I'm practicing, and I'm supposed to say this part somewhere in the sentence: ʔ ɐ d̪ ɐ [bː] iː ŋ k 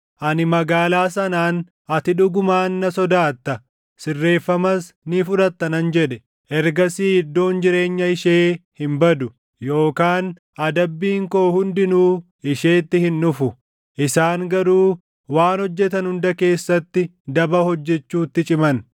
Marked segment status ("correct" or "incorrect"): correct